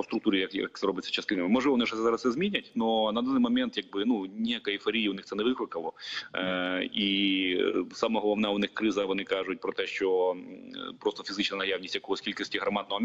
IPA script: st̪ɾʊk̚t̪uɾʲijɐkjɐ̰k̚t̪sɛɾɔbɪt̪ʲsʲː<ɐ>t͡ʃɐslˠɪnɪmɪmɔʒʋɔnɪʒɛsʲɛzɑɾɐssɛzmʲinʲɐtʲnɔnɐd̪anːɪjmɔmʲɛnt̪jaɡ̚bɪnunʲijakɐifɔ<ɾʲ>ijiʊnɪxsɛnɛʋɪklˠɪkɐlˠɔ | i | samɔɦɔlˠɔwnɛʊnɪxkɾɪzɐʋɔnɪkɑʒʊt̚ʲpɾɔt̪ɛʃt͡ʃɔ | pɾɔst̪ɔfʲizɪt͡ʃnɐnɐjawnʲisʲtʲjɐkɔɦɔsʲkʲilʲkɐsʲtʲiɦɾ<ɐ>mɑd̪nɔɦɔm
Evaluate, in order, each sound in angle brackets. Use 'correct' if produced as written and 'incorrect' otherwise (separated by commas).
correct, correct, correct